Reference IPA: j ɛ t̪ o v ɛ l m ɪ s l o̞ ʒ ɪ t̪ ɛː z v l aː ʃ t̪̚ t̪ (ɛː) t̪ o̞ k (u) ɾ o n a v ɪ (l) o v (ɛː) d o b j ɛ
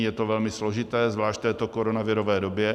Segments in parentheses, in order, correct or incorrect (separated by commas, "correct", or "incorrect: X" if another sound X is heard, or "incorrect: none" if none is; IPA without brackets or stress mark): correct, incorrect: o, incorrect: ɾ, correct